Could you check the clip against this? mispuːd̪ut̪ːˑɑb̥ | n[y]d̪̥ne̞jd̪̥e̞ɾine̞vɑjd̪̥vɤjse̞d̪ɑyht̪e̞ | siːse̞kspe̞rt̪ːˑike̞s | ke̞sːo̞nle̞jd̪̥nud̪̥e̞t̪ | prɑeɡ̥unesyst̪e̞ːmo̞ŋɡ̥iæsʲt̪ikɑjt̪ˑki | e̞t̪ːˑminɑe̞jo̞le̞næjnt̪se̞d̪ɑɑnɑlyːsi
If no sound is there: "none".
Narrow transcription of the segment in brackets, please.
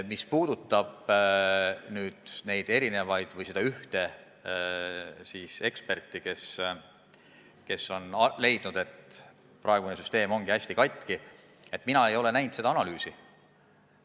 yː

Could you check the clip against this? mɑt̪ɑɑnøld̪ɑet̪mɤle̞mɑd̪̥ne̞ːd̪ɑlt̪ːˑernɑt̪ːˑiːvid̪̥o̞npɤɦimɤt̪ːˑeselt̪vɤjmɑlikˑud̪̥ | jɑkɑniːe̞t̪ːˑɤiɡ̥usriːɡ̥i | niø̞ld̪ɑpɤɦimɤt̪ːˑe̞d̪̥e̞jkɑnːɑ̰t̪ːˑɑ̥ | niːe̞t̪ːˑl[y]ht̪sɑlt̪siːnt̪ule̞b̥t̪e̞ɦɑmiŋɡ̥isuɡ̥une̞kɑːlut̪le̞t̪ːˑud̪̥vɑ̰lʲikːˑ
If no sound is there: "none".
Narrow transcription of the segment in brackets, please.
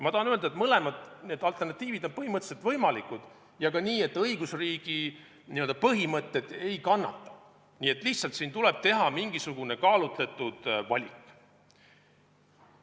i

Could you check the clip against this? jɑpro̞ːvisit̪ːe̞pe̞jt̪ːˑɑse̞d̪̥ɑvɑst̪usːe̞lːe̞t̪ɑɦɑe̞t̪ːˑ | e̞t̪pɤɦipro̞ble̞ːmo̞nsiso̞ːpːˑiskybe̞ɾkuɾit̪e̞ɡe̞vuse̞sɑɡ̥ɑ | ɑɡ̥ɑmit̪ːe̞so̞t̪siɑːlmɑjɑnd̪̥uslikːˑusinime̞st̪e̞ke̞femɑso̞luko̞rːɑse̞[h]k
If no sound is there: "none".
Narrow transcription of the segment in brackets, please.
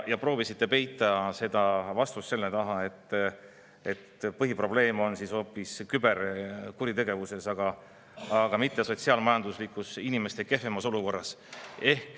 h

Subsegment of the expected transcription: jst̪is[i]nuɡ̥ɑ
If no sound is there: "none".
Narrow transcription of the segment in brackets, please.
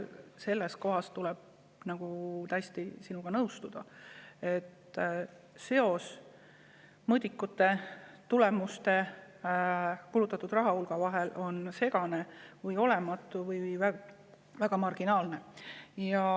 i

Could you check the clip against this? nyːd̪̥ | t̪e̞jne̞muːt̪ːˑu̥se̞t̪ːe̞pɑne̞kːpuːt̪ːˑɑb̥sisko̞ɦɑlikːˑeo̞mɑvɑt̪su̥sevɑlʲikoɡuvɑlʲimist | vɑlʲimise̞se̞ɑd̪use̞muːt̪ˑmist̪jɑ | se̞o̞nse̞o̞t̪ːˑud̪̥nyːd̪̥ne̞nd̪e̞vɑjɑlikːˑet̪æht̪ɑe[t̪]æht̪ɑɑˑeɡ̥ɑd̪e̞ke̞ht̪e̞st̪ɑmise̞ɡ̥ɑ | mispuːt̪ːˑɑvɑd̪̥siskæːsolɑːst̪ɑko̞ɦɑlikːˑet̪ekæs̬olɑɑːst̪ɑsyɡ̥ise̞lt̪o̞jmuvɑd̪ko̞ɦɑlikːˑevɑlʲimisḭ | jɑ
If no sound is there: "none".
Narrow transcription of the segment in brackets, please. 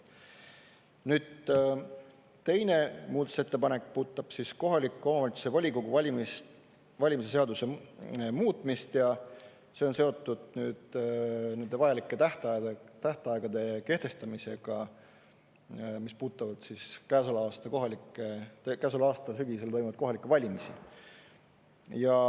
t̪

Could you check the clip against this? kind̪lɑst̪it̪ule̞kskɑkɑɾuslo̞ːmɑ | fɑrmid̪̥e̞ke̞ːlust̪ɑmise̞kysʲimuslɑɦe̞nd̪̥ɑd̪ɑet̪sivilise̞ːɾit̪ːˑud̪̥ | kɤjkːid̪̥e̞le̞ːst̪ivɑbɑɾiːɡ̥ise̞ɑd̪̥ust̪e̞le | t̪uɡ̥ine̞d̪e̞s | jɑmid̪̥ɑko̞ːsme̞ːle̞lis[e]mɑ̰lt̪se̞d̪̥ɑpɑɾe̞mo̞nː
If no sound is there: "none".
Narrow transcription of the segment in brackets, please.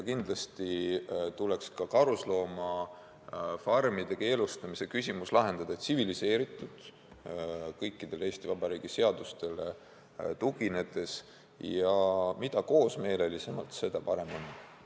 e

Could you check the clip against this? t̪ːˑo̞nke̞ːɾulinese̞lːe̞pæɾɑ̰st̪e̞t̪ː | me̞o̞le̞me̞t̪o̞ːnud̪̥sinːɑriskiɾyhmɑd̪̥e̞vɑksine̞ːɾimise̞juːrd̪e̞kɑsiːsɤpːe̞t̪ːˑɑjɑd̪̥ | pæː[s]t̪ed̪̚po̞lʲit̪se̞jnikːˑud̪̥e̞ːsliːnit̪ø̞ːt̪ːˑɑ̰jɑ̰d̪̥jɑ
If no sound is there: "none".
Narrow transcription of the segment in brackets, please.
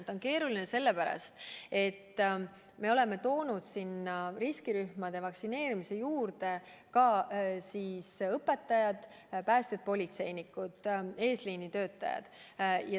s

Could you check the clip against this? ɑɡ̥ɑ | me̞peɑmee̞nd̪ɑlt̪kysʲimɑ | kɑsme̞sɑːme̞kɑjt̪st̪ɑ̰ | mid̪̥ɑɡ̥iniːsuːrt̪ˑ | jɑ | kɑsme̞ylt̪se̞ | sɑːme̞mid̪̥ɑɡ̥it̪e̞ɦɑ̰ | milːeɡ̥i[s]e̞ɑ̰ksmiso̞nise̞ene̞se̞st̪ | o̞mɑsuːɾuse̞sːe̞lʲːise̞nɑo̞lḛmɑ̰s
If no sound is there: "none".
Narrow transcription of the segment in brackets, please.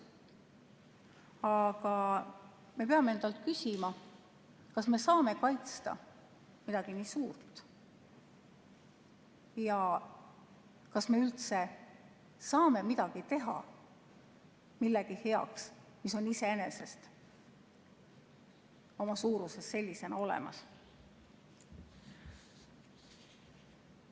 h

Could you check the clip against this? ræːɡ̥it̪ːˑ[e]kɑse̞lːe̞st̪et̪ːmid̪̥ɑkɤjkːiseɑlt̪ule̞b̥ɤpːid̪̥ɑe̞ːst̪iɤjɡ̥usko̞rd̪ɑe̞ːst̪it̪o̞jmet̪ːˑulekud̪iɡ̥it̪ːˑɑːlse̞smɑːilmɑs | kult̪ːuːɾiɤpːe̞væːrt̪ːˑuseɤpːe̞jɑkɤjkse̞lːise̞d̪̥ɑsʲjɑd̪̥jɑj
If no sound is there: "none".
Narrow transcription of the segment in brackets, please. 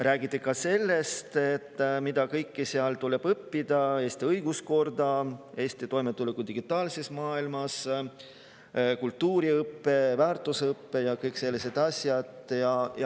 e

